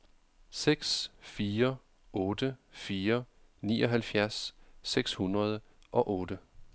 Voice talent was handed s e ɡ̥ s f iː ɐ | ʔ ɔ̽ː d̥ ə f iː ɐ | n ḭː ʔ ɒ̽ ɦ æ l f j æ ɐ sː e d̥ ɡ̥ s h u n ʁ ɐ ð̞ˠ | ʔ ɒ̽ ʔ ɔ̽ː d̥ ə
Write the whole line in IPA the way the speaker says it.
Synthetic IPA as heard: s e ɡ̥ s f iː ɐ | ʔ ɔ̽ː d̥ ə f iː ɐ | n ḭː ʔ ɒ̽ ɦ æ l f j æ ɐ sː e ɡ̥ s h u n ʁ ɐ ð̞ˠ | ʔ ɒ̽ ʔ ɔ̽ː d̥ ə